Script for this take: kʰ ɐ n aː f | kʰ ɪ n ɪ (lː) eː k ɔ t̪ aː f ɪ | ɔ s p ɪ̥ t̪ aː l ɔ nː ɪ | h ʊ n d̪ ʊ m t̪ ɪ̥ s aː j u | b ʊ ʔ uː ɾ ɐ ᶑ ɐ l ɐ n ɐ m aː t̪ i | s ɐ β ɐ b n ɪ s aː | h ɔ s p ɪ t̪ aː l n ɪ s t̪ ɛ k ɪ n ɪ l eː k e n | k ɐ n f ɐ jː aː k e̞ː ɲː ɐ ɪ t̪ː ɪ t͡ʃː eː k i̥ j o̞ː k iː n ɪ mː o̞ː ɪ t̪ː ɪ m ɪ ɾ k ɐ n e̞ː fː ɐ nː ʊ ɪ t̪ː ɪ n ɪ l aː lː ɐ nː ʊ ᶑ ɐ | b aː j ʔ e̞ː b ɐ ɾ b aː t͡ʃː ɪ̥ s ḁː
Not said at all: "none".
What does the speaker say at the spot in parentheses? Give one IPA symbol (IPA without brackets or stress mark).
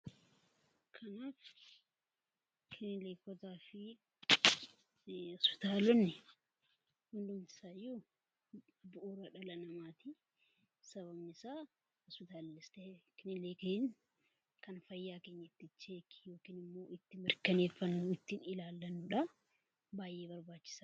l